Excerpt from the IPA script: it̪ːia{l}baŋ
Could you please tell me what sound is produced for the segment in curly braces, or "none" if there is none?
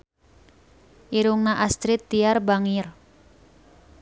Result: r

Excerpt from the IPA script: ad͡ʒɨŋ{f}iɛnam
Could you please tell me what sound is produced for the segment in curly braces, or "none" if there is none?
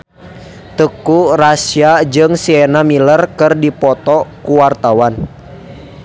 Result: s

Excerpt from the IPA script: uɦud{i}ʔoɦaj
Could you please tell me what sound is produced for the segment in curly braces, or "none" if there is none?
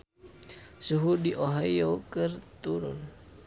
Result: i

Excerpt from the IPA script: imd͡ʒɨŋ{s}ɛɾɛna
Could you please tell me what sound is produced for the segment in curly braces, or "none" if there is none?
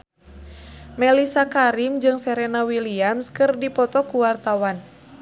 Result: s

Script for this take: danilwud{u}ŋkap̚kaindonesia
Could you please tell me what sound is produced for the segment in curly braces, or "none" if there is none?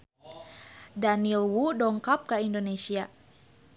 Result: ɔ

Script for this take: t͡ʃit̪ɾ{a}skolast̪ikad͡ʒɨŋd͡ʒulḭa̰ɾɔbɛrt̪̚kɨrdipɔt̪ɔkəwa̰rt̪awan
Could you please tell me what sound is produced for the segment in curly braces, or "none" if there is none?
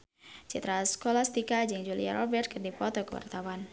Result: a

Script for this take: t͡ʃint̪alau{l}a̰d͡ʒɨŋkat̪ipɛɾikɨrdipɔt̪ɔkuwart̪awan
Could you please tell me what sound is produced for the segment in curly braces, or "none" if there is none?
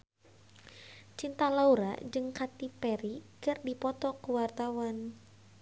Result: ɾ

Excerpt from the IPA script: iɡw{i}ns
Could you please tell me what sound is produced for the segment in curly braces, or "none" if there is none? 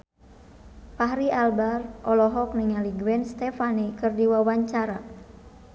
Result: ɛ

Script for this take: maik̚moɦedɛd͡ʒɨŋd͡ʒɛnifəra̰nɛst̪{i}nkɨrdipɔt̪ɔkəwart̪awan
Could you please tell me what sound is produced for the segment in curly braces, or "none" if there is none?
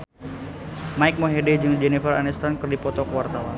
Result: a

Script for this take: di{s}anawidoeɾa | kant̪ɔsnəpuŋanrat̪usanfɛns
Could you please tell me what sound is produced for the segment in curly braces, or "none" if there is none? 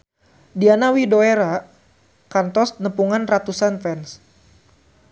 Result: none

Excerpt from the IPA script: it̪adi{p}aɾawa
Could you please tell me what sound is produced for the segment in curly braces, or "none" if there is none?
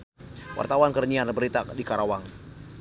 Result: k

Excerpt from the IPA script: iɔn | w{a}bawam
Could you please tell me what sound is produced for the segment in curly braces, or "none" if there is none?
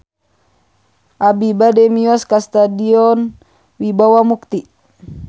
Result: i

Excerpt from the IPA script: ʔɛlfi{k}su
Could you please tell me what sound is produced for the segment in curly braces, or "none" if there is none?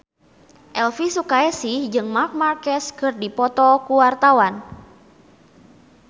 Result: none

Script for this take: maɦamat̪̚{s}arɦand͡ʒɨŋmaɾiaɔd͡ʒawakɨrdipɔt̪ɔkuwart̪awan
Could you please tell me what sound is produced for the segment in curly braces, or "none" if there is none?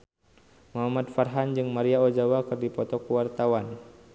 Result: f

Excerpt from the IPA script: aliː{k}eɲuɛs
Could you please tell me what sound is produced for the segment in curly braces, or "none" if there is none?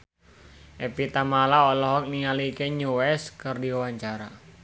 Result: k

